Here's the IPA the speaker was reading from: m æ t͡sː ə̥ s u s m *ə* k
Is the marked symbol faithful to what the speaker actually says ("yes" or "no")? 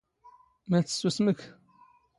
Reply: yes